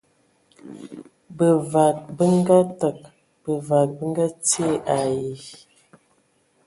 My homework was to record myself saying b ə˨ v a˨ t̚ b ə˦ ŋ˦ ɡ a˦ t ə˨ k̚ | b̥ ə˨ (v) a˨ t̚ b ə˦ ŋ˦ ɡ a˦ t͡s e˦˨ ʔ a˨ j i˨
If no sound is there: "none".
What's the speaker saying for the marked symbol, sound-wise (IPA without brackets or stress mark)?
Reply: v